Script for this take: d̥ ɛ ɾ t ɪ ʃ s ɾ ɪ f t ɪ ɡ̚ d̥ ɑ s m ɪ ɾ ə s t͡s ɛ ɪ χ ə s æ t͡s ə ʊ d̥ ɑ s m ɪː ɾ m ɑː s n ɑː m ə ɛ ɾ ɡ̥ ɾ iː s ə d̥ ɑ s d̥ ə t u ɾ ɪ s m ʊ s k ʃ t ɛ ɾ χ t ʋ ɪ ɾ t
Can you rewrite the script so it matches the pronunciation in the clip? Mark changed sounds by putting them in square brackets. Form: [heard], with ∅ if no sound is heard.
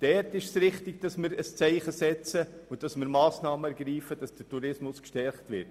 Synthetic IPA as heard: d̥ ɛ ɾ t ɪ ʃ s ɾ ɪ [χ] t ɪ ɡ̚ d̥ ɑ s m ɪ ɾ ə s t͡s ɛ ɪ χ ə s [ɛ] t͡s ə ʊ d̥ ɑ s m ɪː ɾ m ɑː s n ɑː m ə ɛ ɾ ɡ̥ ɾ iː [f] ə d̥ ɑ s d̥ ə t u ɾ ɪ s m ʊ s k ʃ t ɛ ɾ χ t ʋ ɪ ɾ t